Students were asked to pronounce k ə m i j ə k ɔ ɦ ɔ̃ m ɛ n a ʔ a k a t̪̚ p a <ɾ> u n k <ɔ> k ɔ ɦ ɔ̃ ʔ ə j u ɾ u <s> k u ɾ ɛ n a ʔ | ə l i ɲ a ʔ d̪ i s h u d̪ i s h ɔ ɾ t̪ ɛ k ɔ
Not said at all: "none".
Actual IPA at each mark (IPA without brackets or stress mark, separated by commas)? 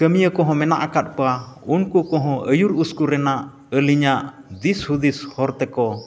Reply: none, u, s